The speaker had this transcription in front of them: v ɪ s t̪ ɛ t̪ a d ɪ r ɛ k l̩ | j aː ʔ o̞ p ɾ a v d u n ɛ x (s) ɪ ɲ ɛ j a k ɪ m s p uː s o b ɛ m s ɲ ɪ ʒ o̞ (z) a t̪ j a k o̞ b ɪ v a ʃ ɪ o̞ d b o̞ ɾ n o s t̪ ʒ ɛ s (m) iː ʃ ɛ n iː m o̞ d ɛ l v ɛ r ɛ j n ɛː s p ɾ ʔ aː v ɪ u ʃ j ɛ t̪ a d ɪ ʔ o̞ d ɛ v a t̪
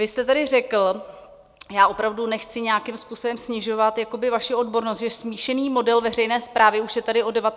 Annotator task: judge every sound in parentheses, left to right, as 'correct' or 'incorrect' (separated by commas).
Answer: incorrect, incorrect, correct